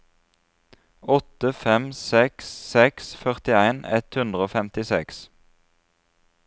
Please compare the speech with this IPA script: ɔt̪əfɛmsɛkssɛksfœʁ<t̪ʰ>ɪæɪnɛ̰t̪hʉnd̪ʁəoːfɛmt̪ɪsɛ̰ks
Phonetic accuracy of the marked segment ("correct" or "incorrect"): incorrect